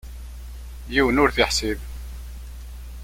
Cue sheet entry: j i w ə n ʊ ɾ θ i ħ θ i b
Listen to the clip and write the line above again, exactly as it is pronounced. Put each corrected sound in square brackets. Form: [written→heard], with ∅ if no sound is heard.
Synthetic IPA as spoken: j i w ə n ʊ ɾ θ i ħ [θ→s] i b